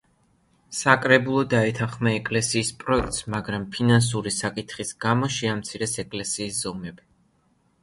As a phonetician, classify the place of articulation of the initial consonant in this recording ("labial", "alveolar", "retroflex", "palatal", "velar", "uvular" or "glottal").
alveolar